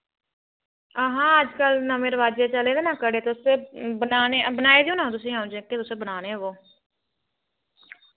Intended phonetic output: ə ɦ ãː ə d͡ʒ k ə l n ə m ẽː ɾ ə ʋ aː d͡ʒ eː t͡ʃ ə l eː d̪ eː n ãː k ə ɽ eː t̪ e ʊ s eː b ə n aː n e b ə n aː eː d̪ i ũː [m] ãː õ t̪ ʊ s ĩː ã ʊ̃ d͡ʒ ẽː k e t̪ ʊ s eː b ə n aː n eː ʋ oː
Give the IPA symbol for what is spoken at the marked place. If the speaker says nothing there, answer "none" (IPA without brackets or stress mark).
n